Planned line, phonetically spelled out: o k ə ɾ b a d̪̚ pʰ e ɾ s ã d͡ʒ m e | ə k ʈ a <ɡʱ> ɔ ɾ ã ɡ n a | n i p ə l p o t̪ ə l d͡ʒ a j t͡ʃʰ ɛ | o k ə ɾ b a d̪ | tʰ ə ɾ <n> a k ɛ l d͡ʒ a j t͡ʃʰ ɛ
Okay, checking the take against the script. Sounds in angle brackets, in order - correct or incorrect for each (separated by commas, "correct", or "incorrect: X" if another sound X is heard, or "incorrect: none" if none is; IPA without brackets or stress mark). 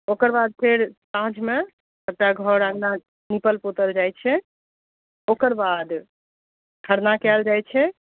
correct, correct